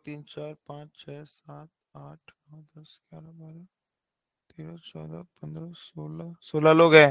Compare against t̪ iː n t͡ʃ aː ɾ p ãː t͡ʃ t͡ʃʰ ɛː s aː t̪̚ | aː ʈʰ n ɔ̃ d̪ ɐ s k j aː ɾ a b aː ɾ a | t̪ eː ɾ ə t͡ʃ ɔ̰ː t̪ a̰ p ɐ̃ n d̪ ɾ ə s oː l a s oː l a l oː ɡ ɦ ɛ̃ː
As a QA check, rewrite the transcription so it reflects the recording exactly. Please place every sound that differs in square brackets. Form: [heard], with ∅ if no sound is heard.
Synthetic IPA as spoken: t̪ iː n t͡ʃ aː ɾ p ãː t͡ʃ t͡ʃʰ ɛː s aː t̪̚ | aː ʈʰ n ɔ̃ d̪ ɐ s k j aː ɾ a b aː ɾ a | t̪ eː ɾ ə t͡ʃ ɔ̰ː [d̪] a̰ p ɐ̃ n d̪ ɾ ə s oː l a s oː l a l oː ɡ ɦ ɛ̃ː